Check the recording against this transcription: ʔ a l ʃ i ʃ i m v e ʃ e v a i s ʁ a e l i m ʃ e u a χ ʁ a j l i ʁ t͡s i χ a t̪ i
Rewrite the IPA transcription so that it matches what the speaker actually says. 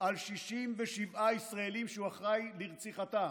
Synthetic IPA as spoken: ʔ a l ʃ i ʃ i m v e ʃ i v a i s ʁ a e l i m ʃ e u a χ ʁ a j l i ʁ t͡s i χ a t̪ a